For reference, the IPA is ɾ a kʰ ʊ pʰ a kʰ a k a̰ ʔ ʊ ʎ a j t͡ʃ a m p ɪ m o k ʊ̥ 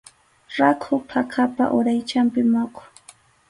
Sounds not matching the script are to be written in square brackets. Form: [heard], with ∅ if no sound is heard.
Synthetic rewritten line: ɾ a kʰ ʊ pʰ a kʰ a [p] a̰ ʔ ʊ [ɾ] a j t͡ʃ a m p ɪ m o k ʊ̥